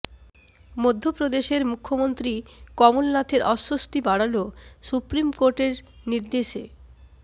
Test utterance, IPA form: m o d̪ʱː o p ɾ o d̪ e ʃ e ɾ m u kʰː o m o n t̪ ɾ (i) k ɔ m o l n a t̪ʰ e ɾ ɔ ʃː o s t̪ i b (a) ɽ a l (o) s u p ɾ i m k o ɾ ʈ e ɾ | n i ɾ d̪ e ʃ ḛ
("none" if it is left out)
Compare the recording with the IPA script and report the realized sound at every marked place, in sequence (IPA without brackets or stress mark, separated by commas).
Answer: i, a, o